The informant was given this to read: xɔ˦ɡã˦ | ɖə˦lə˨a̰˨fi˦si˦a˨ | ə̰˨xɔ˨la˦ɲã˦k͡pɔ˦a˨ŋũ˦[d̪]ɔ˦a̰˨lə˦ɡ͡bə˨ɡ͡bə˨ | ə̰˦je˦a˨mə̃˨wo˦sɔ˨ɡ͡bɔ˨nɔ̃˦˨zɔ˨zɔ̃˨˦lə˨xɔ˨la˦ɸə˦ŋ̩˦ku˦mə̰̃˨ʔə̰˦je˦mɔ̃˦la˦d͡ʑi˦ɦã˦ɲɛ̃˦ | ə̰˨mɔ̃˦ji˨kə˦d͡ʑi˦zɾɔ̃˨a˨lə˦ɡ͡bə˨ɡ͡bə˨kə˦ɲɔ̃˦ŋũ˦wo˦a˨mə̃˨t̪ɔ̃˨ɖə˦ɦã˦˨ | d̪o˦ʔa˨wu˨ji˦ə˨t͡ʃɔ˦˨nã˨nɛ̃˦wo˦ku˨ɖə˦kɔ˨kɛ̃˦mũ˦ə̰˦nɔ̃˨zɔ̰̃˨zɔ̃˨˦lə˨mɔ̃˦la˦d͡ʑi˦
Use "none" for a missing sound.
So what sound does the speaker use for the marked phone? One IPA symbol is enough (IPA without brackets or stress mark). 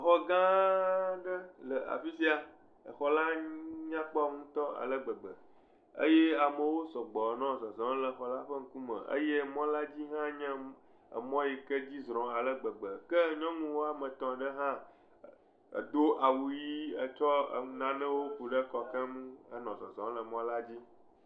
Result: t̪